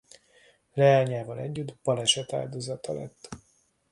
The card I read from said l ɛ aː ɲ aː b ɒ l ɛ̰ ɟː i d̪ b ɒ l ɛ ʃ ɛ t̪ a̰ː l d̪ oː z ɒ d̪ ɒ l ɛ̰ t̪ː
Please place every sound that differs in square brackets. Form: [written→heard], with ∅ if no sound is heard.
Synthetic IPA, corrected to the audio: l ɛ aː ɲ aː [b→v] ɒ l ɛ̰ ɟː [i→y] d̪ b ɒ l ɛ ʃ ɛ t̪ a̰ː l d̪ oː z ɒ [d̪→t̪] ɒ l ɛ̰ t̪ː